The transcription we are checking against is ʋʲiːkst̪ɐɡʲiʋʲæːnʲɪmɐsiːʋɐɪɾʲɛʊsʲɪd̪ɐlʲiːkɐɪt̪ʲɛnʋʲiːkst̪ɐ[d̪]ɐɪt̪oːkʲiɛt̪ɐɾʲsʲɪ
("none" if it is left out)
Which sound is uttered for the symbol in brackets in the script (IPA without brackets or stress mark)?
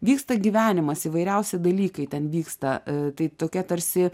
t̪